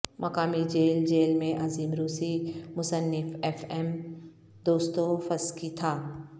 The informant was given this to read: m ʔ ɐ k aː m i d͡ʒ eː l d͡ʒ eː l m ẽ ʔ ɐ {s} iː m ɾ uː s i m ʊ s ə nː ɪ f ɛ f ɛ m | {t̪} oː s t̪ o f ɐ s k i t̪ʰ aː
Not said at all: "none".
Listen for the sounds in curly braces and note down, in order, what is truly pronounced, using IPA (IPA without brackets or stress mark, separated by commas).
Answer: z, d̪